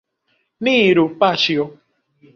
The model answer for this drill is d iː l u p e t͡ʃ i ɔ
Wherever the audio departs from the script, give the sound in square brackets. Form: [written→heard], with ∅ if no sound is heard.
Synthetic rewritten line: [d→n] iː [l→ɾ] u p [e→a] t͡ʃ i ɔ